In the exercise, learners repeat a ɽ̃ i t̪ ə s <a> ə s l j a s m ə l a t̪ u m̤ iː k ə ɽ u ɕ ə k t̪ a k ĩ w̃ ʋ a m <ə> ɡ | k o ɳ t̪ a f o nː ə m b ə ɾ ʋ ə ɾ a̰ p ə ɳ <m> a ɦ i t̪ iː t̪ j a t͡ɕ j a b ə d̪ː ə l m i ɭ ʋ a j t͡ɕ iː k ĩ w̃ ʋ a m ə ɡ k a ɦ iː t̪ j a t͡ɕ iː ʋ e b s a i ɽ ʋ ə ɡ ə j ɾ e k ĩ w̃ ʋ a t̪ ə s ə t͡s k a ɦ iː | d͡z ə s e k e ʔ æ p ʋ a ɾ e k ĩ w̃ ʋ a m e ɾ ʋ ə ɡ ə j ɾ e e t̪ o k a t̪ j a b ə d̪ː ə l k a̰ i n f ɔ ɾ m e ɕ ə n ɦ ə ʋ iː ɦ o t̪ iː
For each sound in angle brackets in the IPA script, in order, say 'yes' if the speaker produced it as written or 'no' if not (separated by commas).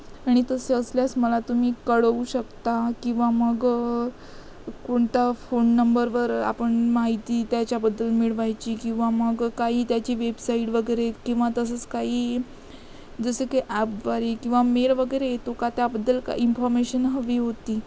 no, yes, yes